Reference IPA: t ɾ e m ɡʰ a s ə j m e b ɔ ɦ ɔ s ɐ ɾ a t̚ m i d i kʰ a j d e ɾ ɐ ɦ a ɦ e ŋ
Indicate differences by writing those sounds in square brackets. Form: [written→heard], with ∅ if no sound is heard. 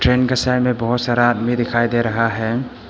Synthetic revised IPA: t ɾ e [m→n] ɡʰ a s [ə→a] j m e b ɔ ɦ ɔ s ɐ ɾ a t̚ m i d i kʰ a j d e ɾ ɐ ɦ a ɦ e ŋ